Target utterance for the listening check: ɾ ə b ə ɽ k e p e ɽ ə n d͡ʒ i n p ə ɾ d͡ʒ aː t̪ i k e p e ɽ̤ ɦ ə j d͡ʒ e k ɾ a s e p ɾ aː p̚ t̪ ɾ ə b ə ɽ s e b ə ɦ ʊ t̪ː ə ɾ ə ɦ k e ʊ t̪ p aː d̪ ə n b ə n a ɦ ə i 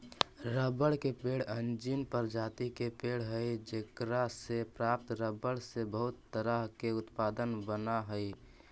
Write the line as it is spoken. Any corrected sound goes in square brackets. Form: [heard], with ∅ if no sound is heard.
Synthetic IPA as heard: ɾ ə b ə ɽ k e p e ɽ ə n d͡ʒ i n p ə ɾ d͡ʒ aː t̪ i k e p e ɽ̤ ɦ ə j d͡ʒ e k ɾ a s e p ɾ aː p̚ t̪ ɾ ə b ə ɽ s e b ə ɦ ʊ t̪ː ə ɾ ə ɦ k e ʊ t̪ p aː d̪ ə n b ə n a ɦ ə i